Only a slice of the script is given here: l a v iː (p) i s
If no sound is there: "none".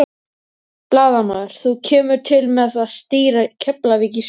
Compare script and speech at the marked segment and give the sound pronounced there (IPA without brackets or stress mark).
c